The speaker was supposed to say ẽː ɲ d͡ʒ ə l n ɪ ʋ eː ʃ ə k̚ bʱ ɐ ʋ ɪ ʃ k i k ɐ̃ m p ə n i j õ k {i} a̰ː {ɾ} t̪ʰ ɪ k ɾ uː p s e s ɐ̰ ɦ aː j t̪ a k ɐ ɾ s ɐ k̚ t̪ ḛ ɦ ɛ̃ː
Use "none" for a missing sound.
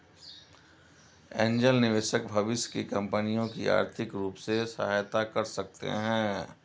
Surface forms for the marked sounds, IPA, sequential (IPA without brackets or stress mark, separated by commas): i, ɾ